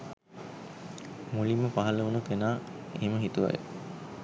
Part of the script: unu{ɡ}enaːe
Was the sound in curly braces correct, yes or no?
no